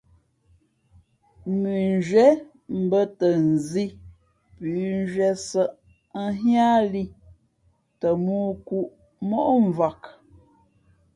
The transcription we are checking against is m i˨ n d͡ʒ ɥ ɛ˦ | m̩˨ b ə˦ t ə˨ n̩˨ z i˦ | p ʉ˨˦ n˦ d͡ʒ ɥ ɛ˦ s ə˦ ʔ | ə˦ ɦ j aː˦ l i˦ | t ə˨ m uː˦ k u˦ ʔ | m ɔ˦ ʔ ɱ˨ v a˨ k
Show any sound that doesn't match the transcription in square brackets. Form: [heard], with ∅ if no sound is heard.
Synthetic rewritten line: m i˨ n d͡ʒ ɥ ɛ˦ | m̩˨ b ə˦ t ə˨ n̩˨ z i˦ | p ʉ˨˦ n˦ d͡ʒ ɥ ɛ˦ s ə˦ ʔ | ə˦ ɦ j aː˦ l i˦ | t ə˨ m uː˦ k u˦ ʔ | m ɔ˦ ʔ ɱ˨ v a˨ k